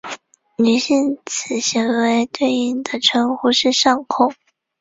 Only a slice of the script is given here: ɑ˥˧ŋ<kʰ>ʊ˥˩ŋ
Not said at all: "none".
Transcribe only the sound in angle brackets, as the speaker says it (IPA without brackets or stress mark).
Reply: kʰ